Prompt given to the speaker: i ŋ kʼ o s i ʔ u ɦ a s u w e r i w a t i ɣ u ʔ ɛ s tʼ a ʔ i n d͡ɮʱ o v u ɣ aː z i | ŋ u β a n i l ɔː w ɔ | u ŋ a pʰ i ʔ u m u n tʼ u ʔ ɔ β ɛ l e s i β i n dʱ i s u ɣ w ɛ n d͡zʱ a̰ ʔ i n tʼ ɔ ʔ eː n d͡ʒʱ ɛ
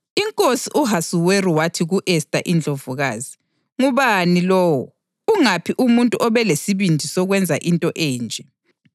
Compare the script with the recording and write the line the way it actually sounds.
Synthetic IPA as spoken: i ŋ kʼ o s i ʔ u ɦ a s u w e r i w a tʰ i ɣ u ʔ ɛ s tʼ a ʔ i n d͡ɮʱ o v u ɣ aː z i | ŋ u β a n i l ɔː w ɔ | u ŋ a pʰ i ʔ u m u n tʼ u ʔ ɔ β ɛ l e s i β i n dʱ i s ɔ ɣ w ɛ n d͡zʱ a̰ ʔ i n tʼ ɔ ʔ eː n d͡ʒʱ ɛ